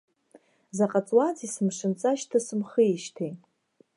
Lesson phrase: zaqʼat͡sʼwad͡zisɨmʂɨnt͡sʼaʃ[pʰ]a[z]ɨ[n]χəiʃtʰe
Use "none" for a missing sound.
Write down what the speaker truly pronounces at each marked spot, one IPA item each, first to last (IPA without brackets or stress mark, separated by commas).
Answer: tʰ, s, m